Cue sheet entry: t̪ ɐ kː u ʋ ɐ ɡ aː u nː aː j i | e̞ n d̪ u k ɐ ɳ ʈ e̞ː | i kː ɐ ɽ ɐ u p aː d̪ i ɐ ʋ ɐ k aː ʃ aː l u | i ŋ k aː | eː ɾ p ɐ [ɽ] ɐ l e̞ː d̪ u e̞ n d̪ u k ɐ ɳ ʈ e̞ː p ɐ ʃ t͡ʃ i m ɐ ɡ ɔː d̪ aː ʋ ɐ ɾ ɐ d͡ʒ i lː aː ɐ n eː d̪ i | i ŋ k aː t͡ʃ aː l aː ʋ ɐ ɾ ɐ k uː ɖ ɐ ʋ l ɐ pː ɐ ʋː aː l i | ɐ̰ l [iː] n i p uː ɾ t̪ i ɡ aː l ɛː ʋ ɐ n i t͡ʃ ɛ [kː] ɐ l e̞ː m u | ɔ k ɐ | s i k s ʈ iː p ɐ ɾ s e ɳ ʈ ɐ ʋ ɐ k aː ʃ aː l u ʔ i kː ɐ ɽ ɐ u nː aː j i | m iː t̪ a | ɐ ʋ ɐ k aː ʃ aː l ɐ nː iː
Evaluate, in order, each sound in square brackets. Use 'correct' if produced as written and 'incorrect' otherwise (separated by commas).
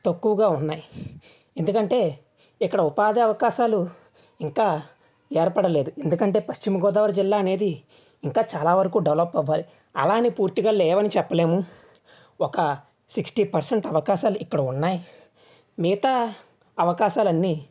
correct, incorrect, incorrect